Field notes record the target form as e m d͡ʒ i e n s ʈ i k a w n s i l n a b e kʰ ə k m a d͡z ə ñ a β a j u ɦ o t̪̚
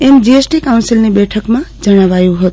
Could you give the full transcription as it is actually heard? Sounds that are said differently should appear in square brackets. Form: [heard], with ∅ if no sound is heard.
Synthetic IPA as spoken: e m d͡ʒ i e [∅] s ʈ i k a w n s i l n [e] b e [ʈʰ] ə k m a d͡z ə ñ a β a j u ɦ o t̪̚